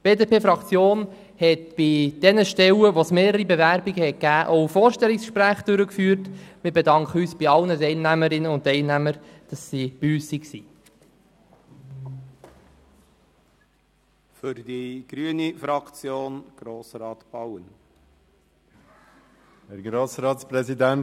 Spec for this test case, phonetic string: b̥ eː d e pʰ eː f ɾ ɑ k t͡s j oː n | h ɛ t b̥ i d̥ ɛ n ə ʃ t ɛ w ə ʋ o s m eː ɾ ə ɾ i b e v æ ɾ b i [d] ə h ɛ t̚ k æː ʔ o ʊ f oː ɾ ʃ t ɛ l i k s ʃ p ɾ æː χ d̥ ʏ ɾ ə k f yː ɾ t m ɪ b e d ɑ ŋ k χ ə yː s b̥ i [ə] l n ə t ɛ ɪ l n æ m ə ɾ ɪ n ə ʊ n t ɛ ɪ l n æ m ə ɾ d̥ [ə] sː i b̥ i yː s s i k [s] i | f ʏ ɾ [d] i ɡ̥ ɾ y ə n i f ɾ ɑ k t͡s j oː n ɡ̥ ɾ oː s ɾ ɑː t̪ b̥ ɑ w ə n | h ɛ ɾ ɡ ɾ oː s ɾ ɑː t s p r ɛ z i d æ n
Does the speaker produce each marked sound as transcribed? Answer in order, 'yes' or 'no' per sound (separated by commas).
no, no, no, yes, yes